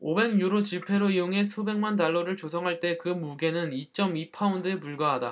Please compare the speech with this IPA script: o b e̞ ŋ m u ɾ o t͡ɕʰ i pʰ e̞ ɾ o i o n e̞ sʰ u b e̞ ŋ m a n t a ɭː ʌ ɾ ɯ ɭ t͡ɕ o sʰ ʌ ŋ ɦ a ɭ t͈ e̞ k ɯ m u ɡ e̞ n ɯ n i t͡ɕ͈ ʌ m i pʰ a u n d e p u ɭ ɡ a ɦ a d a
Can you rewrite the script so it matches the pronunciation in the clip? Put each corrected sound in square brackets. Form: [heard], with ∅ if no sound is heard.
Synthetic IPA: o b e̞ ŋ [ɲ] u ɾ o [t͡ɕ] i pʰ e̞ ɾ o i o [ŋ] e̞ sʰ u b e̞ ŋ m a n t a ɭː ʌ ɾ ɯ ɭ t͡ɕ o sʰ ʌ ŋ ɦ a ɭ t͈ e̞ k ɯ m u ɡ e̞ n ɯ n i t͡ɕ͈ ʌ m i pʰ a u n d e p u ɭ ɡ a ɦ a d a